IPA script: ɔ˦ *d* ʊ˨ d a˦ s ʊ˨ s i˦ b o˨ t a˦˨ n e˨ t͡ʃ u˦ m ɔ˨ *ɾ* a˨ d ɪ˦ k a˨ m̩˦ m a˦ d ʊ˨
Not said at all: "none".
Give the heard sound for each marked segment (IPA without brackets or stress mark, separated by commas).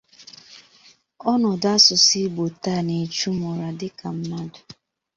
n, ɾ